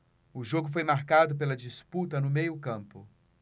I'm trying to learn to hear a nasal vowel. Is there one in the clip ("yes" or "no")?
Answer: yes